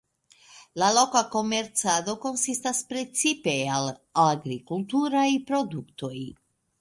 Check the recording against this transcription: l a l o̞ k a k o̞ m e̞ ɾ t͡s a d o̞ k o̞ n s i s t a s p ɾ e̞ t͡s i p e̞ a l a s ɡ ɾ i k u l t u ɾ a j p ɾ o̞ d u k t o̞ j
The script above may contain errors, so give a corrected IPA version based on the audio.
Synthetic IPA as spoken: l a l o̞ k a k o̞ m e̞ ɾ t͡s a d o̞ k o̞ n s i s t a s p ɾ e̞ t͡s i p e̞ a l a ɡ ɾ i k u l t u ɾ a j p ɾ o̞ d u k t o̞ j